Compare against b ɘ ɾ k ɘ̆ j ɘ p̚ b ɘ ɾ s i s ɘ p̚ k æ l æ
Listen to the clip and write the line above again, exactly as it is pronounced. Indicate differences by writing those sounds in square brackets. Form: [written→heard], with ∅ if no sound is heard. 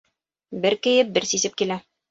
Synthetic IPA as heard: b ɘ ɾ k ɘ̆ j ɘ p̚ b ɘ ɾ s i s ɘ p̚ k [æ→i] l æ